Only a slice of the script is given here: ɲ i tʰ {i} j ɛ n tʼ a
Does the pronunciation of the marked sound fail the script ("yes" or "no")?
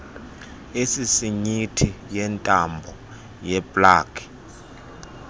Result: no